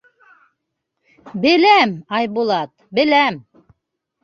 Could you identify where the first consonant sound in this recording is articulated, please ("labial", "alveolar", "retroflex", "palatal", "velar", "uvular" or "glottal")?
labial